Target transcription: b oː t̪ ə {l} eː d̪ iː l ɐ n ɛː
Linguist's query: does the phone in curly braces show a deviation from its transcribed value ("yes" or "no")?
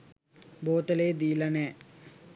no